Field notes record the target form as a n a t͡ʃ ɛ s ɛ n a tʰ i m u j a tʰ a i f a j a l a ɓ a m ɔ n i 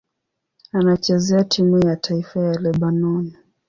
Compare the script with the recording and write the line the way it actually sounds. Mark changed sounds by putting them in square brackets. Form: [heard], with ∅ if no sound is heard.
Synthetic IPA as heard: a n a t͡ʃ ɛ [z] ɛ [∅] a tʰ i m u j a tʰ a i f a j a l [ɛ] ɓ a [n] ɔ n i